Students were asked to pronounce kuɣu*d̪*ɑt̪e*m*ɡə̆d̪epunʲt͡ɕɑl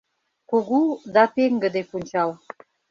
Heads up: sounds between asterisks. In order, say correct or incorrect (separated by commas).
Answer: correct, incorrect